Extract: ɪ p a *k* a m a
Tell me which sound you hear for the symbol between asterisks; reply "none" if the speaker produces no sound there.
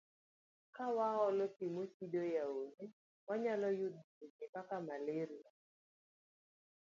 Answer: k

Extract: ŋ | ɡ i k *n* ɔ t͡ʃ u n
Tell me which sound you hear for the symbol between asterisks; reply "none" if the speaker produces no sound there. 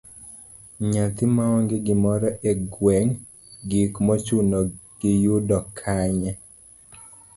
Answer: m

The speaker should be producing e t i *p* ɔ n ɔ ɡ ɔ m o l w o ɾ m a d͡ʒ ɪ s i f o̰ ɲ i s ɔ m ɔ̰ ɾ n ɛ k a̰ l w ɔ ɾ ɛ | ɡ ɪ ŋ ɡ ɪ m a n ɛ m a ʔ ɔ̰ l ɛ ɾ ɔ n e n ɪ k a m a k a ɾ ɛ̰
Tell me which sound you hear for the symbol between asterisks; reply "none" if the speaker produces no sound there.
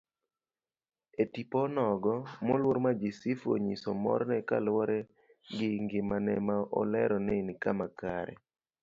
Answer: p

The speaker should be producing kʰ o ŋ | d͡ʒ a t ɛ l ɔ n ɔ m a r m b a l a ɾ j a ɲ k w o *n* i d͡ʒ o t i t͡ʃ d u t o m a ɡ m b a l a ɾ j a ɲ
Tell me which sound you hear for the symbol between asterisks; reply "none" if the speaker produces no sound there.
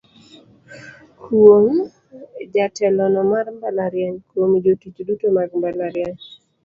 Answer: m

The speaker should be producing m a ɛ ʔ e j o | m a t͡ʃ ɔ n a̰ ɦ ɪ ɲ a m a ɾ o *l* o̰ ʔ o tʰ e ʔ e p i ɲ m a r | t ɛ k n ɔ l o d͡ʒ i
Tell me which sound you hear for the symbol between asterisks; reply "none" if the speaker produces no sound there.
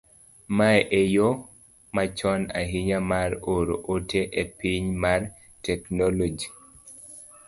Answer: ɾ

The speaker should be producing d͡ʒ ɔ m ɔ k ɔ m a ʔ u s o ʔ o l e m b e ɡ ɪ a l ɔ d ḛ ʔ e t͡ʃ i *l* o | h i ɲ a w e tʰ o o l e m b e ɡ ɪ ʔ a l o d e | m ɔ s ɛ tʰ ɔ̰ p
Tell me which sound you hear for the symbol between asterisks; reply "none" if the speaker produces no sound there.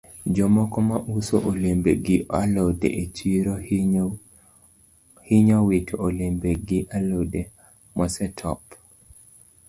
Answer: ɾ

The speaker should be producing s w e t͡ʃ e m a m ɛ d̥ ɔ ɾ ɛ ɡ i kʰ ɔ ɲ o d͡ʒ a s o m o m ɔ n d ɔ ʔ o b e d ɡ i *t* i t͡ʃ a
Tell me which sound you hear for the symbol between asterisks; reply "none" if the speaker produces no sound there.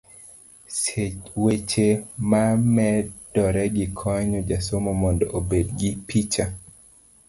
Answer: p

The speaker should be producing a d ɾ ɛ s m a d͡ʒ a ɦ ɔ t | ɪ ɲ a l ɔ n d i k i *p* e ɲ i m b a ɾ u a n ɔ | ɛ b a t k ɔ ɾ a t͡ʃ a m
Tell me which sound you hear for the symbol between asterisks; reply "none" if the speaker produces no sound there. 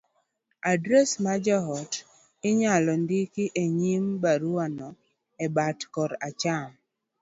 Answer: ʔ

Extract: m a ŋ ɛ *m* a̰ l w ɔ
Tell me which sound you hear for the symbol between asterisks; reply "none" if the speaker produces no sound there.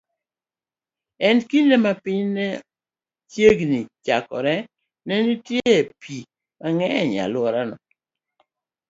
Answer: ɲ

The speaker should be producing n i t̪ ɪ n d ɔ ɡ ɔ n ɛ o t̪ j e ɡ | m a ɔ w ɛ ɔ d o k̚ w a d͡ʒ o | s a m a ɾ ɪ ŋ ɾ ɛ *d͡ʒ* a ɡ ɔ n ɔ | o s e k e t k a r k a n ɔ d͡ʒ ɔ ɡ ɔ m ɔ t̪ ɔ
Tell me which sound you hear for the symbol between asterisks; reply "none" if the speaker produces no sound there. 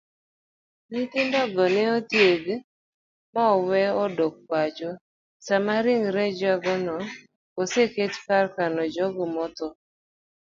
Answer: d͡ʒ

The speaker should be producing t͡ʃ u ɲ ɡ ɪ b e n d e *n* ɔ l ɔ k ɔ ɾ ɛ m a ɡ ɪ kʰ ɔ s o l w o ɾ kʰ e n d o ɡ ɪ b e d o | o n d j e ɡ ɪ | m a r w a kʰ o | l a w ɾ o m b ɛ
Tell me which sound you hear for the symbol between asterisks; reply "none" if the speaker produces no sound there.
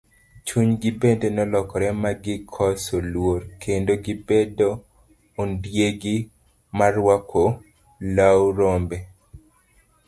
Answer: n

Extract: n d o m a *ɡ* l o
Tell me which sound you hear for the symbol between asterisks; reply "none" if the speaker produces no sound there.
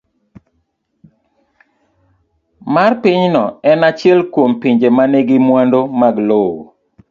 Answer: ɡ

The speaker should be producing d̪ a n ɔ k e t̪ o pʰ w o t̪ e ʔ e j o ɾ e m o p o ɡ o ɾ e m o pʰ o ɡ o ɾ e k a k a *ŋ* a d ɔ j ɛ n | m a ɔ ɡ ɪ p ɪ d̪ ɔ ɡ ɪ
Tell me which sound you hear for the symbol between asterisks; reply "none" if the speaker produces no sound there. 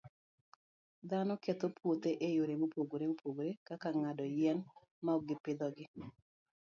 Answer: ŋ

